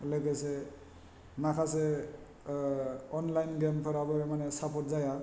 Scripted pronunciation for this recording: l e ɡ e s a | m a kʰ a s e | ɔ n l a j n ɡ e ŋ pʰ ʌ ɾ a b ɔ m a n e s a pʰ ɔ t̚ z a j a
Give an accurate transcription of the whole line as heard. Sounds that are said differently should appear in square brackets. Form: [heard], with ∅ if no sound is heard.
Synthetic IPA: l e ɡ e s [e] | m a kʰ a s e | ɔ n l a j n ɡ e [m] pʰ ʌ ɾ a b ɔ m a n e s a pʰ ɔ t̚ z a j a